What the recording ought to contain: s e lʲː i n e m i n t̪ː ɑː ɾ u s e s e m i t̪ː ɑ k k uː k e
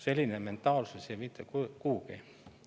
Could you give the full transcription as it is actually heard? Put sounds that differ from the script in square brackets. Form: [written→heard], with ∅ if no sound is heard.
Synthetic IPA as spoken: s e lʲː i n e m [i→e] n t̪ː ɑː [ɾ→l] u s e s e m i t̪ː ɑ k k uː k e